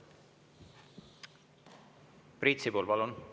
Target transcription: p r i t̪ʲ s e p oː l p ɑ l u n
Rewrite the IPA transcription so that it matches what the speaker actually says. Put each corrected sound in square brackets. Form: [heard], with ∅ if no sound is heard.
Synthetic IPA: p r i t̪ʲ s [i] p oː l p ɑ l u n